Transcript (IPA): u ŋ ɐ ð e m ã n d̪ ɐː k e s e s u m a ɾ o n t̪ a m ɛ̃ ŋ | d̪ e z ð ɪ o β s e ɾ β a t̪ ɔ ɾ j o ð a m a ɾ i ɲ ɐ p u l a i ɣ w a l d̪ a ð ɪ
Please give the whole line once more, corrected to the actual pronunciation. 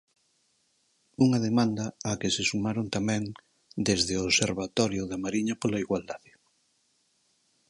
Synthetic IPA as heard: u ŋ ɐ ð e m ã n d̪ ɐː k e s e s u m a ɾ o n t̪ a m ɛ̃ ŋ | d̪ e z ð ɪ o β s e ɾ β a t̪ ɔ ɾ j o ð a m a ɾ i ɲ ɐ p o l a i ɣ w a l d̪ a ð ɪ